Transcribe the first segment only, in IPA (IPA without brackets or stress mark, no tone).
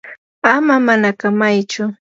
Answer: a